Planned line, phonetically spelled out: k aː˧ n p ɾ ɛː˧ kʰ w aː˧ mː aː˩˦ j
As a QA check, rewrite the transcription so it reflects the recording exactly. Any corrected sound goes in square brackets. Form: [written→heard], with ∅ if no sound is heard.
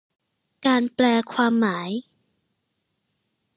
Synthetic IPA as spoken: k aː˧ n p [ɾ→l] ɛː˧ kʰ w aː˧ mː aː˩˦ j